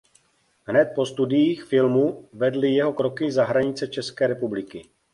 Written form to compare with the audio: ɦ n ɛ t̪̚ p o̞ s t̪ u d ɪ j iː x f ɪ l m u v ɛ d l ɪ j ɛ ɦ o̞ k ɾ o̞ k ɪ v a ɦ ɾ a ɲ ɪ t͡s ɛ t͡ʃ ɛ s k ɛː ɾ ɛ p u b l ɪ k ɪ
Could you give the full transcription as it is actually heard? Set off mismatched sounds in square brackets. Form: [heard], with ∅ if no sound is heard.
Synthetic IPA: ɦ n ɛ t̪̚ p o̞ s t̪ u d ɪ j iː x f ɪ l m u v ɛ d l ɪ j ɛ ɦ o̞ k ɾ o̞ k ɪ [z] a ɦ ɾ a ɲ ɪ t͡s ɛ t͡ʃ ɛ s k ɛː ɾ ɛ p u b l ɪ k ɪ